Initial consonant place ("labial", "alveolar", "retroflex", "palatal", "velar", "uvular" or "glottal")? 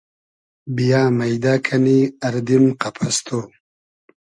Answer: labial